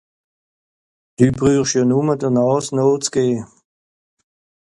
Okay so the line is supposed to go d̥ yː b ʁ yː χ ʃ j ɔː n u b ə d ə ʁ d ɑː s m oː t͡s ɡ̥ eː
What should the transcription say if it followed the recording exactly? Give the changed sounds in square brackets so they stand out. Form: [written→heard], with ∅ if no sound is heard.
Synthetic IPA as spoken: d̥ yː b ʁ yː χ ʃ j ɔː n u [b→m] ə d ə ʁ [d→n] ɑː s [m→n] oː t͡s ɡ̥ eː